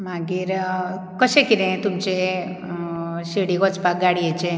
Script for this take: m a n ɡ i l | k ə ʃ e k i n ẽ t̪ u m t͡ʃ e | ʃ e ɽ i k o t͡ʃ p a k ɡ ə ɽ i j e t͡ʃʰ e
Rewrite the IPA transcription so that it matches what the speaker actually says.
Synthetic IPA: m a ɡ i ɾ | k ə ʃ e k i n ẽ t̪ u m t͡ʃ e | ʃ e ɽ i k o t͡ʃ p a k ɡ a ɽ i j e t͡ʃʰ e